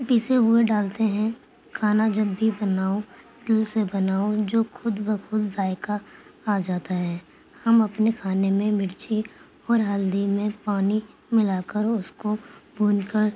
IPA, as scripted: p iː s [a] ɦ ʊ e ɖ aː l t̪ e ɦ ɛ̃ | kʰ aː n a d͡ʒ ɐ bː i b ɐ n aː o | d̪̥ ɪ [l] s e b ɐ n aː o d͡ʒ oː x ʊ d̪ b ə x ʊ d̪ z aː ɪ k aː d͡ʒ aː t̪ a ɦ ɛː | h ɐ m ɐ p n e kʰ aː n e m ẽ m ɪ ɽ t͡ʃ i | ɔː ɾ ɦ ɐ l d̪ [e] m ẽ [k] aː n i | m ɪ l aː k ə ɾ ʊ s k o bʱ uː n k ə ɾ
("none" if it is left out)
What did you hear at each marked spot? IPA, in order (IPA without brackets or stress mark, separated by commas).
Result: e, l, i, p